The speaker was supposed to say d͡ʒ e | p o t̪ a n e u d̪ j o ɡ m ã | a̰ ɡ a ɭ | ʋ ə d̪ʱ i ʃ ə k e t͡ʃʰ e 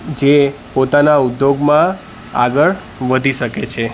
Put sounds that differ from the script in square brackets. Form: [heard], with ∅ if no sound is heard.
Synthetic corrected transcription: d͡ʒ e | p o t̪ a n [a] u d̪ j o ɡ m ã | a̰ ɡ [ə] ɭ | ʋ ə d̪ʱ i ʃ ə k e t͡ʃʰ e